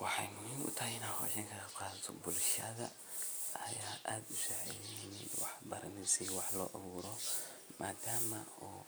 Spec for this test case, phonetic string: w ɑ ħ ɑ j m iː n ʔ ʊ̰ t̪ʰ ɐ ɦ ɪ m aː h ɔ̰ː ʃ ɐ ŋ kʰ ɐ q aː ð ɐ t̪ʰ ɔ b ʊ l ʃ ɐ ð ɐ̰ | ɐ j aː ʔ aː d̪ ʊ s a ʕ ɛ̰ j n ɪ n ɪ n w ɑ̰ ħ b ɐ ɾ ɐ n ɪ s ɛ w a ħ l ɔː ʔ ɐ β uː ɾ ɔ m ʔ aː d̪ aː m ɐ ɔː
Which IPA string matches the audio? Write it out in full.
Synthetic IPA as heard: w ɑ ħ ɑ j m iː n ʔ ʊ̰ t̪ʰ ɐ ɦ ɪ n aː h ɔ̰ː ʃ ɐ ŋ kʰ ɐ q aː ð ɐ t̪ʰ ɔ b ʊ l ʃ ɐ ð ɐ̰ | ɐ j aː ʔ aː d̪ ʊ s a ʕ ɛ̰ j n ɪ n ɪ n w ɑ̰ ħ b ɐ ɾ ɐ n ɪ s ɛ w ɑ ħ l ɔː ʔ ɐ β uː ɾ ɔ m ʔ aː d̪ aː m ɐ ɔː